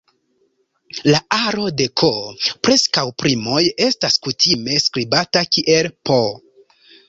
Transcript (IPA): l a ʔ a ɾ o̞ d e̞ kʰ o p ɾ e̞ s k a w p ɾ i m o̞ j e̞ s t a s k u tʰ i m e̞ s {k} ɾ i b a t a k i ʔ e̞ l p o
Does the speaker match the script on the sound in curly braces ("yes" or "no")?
yes